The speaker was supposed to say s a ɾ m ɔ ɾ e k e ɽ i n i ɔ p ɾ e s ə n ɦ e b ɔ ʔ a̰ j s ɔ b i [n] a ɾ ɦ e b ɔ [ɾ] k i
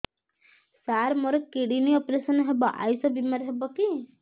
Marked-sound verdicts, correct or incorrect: incorrect, incorrect

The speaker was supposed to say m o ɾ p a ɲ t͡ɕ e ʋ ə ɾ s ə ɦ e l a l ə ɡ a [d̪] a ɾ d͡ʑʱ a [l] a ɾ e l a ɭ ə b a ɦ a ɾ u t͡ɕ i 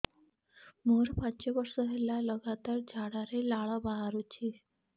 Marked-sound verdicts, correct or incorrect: incorrect, incorrect

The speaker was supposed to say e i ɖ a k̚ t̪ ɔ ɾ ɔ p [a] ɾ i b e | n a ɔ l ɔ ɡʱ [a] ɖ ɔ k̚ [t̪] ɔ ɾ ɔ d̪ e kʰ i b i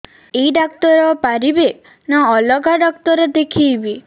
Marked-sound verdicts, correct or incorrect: correct, correct, correct

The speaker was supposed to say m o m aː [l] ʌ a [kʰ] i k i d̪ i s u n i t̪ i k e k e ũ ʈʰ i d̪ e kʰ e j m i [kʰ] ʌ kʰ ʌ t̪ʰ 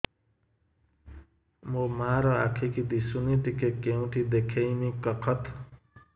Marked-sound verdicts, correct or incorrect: incorrect, correct, incorrect

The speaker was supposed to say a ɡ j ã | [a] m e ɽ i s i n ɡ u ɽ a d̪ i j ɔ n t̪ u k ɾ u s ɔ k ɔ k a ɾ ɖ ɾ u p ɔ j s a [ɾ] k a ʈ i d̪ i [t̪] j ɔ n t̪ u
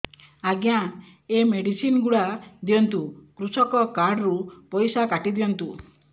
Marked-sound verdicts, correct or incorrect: incorrect, incorrect, incorrect

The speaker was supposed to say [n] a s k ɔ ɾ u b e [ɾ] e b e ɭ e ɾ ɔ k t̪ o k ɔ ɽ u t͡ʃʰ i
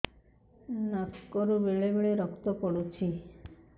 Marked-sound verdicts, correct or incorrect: correct, incorrect

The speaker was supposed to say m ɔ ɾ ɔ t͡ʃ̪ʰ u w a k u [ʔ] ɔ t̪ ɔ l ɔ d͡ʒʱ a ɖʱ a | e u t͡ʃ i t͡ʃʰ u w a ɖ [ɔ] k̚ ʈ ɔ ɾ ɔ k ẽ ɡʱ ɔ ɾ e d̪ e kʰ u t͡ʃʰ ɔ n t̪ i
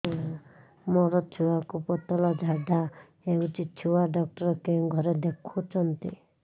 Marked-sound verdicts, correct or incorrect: incorrect, correct

